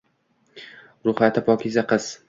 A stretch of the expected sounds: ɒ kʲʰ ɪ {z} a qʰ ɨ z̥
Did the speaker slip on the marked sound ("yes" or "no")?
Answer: no